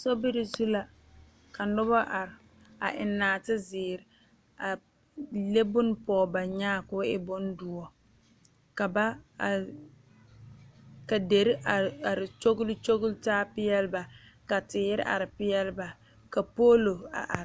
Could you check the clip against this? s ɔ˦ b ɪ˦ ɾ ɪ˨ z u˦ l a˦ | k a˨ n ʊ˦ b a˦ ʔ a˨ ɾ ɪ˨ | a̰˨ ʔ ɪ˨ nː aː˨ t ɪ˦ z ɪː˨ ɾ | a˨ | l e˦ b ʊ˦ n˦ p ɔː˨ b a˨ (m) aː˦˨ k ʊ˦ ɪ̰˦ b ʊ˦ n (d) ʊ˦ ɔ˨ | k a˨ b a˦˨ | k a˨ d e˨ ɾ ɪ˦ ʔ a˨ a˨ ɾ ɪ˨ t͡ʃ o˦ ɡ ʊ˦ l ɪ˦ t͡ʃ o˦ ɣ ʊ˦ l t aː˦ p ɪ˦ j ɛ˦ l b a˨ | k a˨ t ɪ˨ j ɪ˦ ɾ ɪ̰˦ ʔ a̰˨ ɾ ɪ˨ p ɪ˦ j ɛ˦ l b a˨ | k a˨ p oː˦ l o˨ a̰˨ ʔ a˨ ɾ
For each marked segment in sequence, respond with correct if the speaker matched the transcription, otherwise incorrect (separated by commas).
incorrect, correct